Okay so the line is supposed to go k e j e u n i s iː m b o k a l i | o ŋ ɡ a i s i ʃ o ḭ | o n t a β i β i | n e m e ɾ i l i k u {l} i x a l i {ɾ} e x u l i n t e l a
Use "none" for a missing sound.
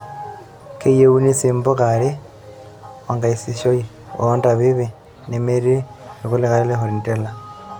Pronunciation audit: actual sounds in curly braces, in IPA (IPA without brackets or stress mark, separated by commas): l, l